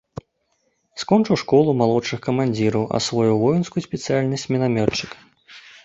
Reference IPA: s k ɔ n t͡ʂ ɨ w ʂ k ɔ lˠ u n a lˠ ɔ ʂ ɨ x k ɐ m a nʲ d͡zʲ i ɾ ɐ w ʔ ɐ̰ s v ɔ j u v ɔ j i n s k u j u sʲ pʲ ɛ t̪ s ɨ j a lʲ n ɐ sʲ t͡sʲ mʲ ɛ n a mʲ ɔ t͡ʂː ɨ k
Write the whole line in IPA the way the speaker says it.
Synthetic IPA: s k ɔ n t͡ʂ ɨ w ʂ k ɔ lˠ u m a lˠ ɔ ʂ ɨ x k ɐ m a nʲ d͡zʲ i ɾ ɐ w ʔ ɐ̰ s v ɔ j u v ɔ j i n s k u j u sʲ pʲ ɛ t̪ s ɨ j a lʲ n ɐ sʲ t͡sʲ mʲ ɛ n a mʲ ɔ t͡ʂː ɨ k